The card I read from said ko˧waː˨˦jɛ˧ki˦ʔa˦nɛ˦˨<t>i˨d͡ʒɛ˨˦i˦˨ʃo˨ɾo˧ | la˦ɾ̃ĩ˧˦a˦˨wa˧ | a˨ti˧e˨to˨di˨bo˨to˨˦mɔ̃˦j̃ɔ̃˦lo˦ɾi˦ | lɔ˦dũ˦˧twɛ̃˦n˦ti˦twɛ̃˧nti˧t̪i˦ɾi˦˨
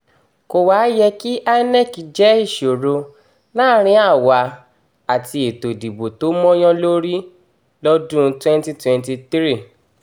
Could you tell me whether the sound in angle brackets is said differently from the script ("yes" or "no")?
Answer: yes